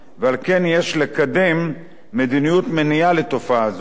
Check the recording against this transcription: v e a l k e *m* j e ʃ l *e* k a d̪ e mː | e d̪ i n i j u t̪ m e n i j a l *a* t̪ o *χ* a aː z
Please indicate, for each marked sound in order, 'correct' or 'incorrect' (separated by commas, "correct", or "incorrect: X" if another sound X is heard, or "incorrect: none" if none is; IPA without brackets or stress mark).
incorrect: n, correct, incorrect: e, incorrect: f